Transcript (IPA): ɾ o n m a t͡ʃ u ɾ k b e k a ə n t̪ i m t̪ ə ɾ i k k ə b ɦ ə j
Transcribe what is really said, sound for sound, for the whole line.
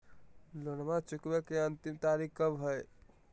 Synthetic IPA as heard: l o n m a t͡ʃ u k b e k e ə n t̪ i m t̪ a ɾ i k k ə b ɦ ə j